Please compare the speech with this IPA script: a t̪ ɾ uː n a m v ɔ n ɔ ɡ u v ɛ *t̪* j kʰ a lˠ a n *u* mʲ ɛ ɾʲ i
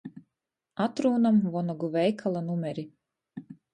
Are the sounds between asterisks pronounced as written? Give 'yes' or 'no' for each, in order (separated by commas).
no, yes